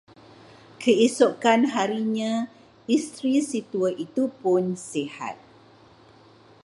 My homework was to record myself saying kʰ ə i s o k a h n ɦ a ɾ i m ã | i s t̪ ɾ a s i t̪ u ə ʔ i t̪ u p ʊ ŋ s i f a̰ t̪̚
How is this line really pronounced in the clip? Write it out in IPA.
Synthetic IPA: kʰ ə i s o k a n ɦ a ɾ i ɲ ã | i s t̪ ɾ i s i t̪ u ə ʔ i t̪ u p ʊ n s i h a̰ t̪̚